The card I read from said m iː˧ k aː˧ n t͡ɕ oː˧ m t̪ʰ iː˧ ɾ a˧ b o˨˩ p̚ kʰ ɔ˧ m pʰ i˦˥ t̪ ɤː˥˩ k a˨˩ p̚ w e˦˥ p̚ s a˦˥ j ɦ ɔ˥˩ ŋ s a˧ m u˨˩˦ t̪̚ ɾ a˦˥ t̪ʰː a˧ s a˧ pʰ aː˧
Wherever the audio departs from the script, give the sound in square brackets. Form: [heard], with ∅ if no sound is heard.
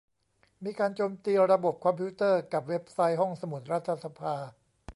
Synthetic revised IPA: m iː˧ k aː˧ n t͡ɕ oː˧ m [t̪] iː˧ ɾ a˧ b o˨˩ p̚ kʰ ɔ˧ m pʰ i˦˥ t̪ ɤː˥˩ k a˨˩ p̚ w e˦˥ p̚ s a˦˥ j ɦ ɔ˥˩ ŋ s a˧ m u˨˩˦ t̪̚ ɾ a˦˥ t̪ʰː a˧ s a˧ pʰ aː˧

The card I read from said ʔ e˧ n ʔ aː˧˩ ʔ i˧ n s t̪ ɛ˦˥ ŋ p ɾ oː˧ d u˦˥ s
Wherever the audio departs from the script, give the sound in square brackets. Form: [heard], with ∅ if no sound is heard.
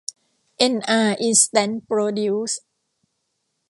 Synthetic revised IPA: ʔ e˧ n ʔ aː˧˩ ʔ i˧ n s t̪ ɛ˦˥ [n] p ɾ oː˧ d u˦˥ s

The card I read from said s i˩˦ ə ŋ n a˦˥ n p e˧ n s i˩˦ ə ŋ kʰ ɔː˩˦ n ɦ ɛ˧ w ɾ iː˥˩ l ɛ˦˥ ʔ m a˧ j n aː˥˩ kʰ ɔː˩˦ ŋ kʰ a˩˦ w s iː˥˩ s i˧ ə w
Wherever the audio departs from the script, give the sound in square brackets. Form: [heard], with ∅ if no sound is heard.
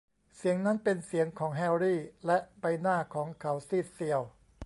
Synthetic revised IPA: s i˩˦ ə ŋ n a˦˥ n p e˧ n s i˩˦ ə ŋ kʰ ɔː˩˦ [ŋ] ɦ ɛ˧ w ɾ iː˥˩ l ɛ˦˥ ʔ [b] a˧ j n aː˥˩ kʰ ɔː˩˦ ŋ kʰ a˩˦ w s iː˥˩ s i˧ ə w

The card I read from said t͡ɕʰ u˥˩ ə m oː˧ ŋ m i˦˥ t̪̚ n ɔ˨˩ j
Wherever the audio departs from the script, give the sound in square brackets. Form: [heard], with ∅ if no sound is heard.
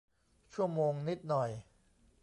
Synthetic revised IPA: t͡ɕʰ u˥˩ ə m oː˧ ŋ [n] i˦˥ t̪̚ n ɔ˨˩ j

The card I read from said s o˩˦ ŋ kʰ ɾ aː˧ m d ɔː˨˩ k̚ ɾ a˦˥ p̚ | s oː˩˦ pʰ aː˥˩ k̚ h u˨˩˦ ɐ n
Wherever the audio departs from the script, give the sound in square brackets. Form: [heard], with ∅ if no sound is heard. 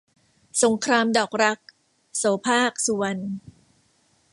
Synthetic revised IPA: s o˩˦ ŋ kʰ ɾ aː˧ m d ɔː˨˩ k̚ ɾ a˦˥ [k̚] | s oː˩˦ pʰ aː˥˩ k̚ [s] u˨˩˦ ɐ n

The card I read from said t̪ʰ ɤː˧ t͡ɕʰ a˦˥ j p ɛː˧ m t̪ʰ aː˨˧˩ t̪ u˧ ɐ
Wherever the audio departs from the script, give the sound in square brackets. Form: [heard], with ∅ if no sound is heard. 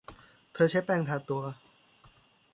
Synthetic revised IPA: t̪ʰ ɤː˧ t͡ɕʰ a˦˥ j p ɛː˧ [ŋ] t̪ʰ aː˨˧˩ t̪ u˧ ɐ

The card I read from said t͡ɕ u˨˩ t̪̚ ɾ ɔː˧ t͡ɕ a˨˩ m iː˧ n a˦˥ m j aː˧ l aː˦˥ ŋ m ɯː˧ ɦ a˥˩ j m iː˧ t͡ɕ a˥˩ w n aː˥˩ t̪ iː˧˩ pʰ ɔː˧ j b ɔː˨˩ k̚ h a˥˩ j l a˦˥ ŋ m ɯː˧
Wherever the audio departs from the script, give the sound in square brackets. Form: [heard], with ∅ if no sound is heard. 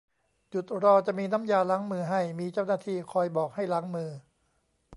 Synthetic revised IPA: t͡ɕ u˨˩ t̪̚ ɾ ɔː˧ t͡ɕ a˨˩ m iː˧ n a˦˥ m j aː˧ l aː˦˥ ŋ m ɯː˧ ɦ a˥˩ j m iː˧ t͡ɕ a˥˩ w n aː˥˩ [t̪ʰ] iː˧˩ [kʰ] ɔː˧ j b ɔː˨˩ k̚ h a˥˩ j l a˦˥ ŋ m ɯː˧

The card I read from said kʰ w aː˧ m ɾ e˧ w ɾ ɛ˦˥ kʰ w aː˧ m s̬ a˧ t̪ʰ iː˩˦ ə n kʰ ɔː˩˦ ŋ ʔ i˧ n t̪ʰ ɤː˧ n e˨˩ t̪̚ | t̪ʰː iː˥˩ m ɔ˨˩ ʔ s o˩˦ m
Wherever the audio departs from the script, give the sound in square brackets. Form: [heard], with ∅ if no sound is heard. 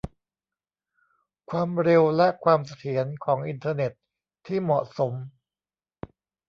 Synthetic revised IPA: kʰ w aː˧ m ɾ e˧ w [l] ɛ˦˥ kʰ w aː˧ m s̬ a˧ t̪ʰ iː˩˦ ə n kʰ ɔː˩˦ ŋ ʔ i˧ n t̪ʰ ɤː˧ n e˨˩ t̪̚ | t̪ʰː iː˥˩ m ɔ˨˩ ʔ s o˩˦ m

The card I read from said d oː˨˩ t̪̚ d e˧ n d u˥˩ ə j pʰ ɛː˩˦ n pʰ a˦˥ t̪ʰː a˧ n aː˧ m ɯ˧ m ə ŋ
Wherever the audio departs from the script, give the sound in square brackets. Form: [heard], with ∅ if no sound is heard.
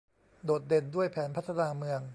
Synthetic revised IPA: d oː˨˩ t̪̚ d e˧ n d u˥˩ ə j pʰ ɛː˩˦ n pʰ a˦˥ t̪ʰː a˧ n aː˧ m ɯ˧ [∅] ə ŋ

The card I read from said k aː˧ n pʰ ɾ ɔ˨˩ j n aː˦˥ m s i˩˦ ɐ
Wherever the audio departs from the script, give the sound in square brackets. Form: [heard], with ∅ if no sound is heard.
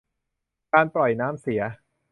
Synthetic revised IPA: k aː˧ n [p] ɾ ɔ˨˩ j n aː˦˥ m s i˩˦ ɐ

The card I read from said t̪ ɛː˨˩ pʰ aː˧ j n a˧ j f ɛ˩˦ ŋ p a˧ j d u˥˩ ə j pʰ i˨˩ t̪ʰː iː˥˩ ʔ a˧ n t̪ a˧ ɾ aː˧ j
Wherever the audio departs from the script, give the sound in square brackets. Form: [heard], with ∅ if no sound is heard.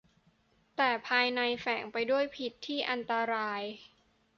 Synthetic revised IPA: t̪ ɛː˨˩ pʰ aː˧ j n a˧ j f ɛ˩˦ ŋ p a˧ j d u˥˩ ə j pʰ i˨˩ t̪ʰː iː˥˩ ʔ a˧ n t̪ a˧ ɾ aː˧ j

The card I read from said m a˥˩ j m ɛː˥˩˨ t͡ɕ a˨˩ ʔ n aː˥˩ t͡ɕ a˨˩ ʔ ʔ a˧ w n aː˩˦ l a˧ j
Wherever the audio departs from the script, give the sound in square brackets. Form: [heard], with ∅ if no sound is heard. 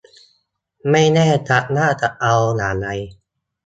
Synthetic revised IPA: m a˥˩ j [n] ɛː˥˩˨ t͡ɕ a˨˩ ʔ n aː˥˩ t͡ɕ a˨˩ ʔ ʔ a˧ w n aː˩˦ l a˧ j

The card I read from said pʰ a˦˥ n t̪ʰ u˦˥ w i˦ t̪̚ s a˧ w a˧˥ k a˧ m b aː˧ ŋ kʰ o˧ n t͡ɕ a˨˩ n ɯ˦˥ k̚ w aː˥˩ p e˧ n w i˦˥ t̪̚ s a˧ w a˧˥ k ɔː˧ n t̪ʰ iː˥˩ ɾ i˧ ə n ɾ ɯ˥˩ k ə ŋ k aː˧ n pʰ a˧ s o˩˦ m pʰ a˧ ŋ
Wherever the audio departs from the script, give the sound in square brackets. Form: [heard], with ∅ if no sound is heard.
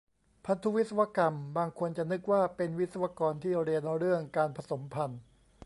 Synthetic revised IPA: pʰ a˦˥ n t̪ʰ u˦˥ w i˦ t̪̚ s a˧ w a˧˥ k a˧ m b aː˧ ŋ kʰ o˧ n t͡ɕ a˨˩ n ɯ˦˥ k̚ w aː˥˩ p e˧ n w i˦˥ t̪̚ s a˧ w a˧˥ k ɔː˧ n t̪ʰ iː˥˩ ɾ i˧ ə n ɾ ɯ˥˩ [∅] ə ŋ k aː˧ n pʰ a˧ s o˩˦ m pʰ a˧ [n]

